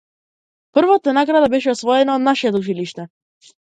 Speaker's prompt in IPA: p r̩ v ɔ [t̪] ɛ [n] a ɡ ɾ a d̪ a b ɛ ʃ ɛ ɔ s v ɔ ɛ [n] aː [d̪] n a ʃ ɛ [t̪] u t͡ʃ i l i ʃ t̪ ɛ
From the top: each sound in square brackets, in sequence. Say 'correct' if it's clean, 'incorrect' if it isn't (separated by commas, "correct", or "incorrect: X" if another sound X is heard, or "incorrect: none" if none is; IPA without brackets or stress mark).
correct, correct, correct, correct, correct